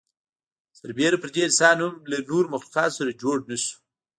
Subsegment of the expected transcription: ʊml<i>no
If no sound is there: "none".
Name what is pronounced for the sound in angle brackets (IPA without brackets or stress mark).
a